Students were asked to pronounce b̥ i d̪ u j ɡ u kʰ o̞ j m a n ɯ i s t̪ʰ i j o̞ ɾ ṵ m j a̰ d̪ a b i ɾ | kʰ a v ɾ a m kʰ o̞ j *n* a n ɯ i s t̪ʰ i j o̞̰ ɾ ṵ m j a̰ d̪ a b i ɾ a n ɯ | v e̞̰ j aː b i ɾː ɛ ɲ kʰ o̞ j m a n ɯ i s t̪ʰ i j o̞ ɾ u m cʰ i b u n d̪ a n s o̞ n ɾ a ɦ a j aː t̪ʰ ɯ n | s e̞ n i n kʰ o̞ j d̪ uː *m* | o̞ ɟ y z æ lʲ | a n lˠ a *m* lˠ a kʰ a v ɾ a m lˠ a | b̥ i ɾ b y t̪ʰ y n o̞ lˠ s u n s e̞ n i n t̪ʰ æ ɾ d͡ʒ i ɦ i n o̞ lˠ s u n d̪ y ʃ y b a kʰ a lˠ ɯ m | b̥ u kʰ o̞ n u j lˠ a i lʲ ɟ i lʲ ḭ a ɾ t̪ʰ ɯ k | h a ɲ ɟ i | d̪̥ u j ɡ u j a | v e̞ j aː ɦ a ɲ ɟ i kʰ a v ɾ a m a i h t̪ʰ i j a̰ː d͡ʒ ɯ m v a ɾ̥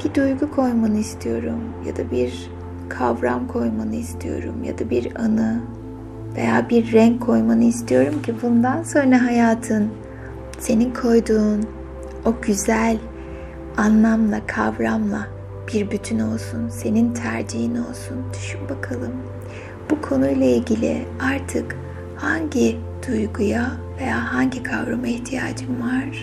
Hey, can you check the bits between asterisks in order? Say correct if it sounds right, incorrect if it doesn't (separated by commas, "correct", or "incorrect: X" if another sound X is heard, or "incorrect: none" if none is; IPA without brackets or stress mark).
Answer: incorrect: m, incorrect: n, correct